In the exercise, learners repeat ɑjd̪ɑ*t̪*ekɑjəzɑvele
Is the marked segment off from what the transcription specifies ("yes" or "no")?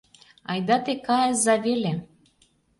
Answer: no